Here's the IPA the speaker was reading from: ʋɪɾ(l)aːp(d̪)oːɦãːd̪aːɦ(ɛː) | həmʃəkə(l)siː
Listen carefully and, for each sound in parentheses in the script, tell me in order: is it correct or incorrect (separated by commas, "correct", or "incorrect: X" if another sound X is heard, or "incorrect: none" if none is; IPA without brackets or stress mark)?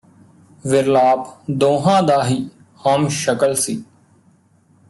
correct, correct, incorrect: iː, correct